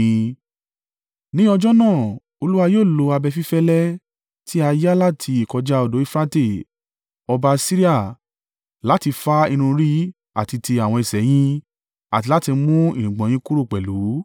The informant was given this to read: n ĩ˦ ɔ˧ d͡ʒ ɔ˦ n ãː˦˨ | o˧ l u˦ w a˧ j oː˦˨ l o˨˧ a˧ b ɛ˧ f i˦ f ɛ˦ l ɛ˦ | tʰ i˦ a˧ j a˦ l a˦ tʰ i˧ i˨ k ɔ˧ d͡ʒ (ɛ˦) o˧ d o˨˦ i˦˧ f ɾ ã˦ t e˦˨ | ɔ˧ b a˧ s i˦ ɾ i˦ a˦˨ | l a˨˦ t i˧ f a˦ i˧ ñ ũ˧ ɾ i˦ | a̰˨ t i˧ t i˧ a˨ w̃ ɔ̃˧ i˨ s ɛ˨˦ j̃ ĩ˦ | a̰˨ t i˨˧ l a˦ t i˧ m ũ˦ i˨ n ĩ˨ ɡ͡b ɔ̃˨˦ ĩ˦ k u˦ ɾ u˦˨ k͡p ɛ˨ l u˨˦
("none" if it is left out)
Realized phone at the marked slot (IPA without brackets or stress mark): a˦